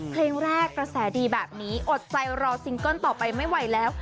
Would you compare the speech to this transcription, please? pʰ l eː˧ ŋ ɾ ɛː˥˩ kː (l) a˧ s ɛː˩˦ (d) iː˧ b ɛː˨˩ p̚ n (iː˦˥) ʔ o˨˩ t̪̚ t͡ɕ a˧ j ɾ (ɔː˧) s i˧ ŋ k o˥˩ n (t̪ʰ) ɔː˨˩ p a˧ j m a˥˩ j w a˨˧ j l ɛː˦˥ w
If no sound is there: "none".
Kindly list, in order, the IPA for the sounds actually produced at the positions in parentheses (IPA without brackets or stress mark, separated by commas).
ɾ, d, iː˦˥, ɔː˧, t̪